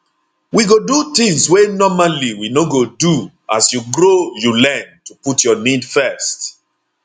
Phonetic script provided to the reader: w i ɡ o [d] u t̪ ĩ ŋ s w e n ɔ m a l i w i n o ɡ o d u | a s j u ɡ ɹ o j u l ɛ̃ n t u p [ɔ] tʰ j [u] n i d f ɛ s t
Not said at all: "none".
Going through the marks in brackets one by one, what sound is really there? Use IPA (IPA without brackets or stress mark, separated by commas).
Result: d, u, ɔ